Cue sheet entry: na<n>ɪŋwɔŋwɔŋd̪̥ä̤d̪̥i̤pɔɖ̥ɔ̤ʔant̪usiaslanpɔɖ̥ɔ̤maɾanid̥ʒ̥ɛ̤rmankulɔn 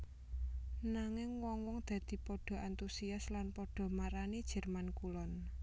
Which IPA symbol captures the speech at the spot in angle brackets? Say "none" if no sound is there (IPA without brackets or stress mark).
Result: ŋ